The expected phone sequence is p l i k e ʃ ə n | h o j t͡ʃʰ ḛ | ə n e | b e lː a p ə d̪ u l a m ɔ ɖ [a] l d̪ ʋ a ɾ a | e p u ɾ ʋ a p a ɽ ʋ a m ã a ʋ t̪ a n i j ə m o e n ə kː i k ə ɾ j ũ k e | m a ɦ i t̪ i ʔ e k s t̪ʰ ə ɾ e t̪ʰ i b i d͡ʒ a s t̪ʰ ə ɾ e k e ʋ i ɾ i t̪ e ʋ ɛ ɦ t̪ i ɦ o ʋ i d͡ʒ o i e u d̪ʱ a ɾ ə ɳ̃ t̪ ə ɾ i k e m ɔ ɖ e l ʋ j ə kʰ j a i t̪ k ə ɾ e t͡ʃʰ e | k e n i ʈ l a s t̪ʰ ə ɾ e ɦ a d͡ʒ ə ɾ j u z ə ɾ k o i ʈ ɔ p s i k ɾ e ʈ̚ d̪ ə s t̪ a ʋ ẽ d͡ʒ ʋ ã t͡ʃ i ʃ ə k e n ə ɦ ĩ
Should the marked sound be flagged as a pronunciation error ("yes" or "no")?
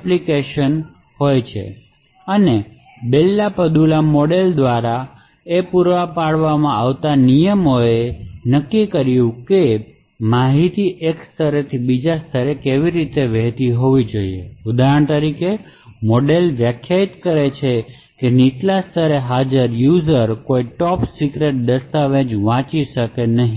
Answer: yes